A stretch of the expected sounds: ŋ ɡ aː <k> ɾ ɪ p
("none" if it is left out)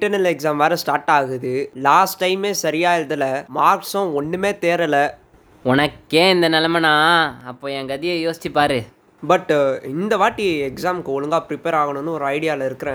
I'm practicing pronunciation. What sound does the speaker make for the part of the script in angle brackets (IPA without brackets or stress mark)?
p